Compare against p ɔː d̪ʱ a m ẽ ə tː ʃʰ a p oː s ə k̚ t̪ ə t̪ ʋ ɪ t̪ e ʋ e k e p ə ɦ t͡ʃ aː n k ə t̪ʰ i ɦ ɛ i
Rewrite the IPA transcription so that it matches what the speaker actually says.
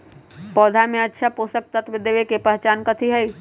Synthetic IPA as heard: p ɔː d̪ʱ a m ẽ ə tː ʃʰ a p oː s ə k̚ t̪ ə t̪ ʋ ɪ d̪ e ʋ e k e p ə ɦ t͡ʃ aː n k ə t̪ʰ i ɦ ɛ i